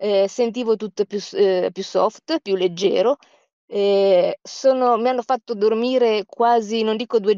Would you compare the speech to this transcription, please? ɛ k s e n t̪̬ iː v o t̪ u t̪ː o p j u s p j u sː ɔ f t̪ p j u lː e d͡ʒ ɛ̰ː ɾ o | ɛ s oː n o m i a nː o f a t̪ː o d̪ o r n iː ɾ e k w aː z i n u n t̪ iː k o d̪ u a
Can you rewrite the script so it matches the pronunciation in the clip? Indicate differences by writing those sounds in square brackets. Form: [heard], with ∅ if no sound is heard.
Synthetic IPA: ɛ [∅] s e n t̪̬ iː v o t̪ u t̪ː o p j u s p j u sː ɔ f t̪ p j u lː e [d͡ʒː] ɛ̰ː ɾ o | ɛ s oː n o m i a nː o f a t̪ː o d̪ o r [m] iː ɾ e k w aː z i n [o] n [d̪] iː k o d̪ u [e]